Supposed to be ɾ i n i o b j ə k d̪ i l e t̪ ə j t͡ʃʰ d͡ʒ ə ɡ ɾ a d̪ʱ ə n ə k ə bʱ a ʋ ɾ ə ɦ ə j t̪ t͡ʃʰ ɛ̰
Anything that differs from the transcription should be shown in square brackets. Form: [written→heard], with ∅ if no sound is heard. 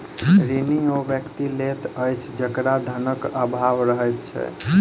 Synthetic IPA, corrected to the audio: ɾ i n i o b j ə k [d̪→t̪] i l e t̪ ə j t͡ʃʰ d͡ʒ ə [ɡ→k] ɾ a d̪ʱ ə n ə k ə bʱ a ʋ ɾ ə ɦ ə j t̪ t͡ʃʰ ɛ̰